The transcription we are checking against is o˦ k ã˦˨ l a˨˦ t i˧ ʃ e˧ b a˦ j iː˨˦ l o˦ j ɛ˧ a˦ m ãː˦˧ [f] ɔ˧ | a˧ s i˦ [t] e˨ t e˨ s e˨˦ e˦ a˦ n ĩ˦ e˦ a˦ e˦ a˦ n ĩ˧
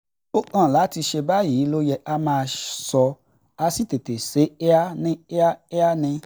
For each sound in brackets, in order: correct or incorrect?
incorrect: s, correct

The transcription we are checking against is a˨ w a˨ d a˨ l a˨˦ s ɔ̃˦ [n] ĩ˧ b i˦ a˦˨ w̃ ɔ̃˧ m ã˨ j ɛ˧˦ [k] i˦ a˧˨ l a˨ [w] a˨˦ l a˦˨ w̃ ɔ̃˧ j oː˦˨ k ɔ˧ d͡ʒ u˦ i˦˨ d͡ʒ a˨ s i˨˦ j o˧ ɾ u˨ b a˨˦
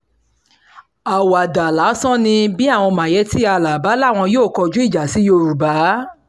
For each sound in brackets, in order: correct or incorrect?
correct, incorrect: t, incorrect: b

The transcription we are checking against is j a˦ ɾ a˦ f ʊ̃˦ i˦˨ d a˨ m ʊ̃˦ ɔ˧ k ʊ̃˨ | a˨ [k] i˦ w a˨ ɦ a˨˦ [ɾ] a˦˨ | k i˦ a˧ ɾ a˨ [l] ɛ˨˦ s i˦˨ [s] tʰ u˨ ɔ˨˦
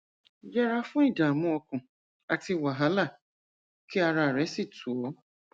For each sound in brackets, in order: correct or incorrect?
incorrect: t, incorrect: l, incorrect: ɾ, incorrect: none

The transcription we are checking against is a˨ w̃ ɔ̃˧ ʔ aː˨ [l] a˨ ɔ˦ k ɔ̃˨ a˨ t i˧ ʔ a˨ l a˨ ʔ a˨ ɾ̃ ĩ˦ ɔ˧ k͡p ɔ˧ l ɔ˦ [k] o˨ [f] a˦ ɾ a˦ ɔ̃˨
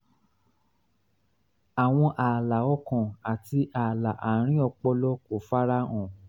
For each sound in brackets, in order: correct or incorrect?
correct, correct, correct

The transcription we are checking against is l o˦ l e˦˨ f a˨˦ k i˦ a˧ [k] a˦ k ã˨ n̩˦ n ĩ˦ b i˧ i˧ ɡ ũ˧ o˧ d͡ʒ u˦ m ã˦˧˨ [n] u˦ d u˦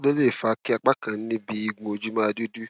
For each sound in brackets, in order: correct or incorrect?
incorrect: k͡p, incorrect: d

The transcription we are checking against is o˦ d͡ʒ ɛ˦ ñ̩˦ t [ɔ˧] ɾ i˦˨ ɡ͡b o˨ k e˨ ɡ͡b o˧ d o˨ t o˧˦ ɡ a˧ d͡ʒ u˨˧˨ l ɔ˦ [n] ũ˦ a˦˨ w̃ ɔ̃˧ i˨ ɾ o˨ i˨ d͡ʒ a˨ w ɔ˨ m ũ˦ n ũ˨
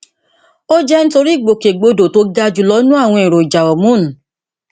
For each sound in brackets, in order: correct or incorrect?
incorrect: o˧, correct

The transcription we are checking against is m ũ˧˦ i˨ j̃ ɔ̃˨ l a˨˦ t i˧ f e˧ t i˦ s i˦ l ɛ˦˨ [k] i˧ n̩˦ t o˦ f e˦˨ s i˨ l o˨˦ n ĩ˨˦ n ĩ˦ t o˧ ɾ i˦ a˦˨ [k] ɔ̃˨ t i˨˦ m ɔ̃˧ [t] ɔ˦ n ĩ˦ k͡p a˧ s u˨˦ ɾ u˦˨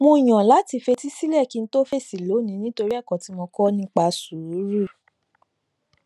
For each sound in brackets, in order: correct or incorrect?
correct, correct, incorrect: k

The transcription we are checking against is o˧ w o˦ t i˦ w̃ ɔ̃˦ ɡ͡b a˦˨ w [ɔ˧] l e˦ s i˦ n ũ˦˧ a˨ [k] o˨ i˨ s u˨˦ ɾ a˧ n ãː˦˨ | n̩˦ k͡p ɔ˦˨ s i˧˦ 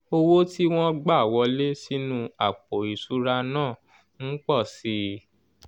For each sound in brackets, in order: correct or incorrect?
correct, incorrect: k͡p

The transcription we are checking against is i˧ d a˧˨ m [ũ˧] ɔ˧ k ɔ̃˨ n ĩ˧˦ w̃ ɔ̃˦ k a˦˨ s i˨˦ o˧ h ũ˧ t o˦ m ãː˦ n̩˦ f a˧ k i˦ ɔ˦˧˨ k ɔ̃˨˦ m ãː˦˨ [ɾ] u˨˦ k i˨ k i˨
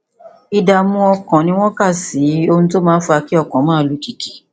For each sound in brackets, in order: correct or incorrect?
correct, incorrect: l

